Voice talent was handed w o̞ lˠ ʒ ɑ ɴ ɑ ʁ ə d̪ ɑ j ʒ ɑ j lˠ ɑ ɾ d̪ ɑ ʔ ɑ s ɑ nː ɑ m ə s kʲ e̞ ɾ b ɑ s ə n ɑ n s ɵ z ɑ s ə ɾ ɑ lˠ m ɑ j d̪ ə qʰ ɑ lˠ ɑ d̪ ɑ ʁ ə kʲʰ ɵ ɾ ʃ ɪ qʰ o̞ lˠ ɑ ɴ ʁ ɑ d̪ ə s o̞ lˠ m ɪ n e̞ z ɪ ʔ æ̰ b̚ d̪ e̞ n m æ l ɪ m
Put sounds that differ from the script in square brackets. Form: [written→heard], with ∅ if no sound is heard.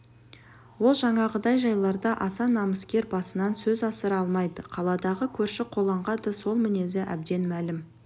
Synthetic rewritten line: w o̞ lˠ ʒ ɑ ɴ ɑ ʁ ə d̪ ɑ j ʒ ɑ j lˠ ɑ ɾ d̪ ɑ ʔ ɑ s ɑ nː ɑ m ə s kʲ e̞ ɾ b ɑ s ə n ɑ n s ɵ z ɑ s ə ɾ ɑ lˠ m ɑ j d̪ ə qʰ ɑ lˠ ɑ d̪ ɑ ʁ ə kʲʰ ɵ ɾ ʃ ɪ qʰ o̞ lˠ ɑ ɴ ʁ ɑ d̪ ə s o̞ lˠ m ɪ n e̞ z ɪ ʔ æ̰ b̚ d̪ e̞ n m æ l ɪ m